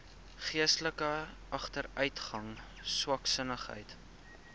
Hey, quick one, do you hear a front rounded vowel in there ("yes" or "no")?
yes